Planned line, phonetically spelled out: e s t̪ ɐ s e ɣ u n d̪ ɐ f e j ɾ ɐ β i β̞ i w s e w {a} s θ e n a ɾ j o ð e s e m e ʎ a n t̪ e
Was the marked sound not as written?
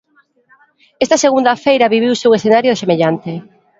yes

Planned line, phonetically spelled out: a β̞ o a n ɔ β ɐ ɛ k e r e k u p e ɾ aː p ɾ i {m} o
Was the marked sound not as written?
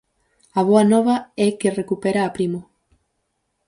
no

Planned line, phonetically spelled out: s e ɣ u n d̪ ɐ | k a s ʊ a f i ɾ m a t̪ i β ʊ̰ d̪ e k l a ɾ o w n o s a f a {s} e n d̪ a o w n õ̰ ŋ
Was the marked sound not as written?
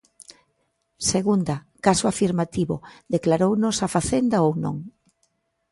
yes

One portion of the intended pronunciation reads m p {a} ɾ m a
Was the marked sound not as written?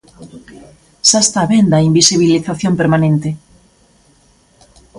yes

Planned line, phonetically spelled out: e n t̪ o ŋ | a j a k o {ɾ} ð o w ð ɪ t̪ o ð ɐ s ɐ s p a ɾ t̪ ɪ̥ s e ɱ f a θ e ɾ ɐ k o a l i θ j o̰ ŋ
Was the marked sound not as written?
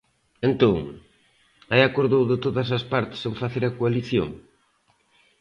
no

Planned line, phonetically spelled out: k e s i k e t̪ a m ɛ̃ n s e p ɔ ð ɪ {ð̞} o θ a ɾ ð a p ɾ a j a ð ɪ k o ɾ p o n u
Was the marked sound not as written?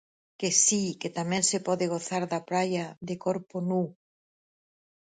yes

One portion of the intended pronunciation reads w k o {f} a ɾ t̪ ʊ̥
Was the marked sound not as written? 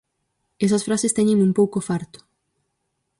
no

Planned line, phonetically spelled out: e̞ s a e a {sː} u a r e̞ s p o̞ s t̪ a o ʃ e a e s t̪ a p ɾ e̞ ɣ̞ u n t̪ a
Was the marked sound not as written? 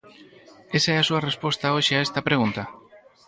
yes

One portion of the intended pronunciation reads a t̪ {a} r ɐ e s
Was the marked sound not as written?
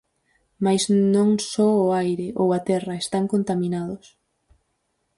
yes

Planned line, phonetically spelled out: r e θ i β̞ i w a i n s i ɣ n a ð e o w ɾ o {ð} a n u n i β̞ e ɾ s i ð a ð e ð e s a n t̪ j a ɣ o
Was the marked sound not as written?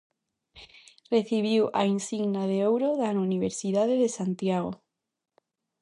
no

